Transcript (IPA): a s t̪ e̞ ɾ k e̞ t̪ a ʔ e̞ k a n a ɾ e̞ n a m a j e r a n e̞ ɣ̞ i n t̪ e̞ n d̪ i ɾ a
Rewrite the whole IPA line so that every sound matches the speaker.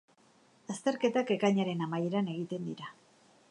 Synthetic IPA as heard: a s t̪ e̞ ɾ k e̞ t̪ a k e̞ k a ɲ a ɾ e̞ n a m a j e ɾ a n e̞ ɣ̞ i t̪ e̞ n d̪ i ɾ a